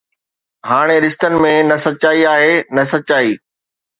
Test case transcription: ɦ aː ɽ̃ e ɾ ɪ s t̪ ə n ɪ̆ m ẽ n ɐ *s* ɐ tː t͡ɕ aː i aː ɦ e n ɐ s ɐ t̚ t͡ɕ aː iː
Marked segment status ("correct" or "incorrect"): correct